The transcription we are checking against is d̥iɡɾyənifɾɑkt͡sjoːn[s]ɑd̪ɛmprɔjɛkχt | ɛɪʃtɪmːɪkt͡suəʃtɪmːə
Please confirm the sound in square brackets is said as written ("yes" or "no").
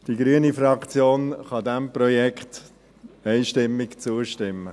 no